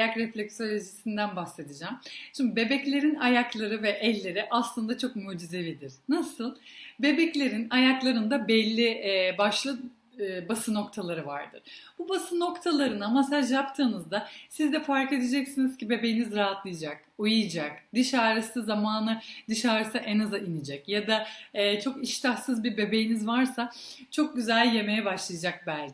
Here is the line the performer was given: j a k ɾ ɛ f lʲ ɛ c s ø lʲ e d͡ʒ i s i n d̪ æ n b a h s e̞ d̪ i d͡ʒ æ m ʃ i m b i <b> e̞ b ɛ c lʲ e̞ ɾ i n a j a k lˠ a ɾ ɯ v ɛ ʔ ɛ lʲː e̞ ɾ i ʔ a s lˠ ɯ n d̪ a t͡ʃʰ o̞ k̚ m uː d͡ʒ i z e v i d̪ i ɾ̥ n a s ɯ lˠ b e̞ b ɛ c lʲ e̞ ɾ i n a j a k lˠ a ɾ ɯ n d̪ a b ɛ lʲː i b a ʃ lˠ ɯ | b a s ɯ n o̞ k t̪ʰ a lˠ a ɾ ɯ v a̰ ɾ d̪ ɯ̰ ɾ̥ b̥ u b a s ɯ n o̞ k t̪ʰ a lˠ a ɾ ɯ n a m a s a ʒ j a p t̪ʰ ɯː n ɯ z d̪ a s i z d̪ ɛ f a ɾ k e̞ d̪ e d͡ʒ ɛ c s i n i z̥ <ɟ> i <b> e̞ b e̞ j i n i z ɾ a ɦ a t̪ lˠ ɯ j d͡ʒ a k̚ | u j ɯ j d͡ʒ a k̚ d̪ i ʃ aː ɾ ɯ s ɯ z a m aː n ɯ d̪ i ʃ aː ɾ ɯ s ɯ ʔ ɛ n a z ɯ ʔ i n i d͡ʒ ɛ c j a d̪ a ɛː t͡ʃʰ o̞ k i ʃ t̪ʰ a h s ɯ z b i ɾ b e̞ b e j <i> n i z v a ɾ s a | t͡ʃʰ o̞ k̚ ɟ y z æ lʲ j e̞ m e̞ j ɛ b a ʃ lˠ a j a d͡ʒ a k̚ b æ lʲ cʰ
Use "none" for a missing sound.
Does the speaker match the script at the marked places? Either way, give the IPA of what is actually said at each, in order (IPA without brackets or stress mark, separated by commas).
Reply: b, c, b, i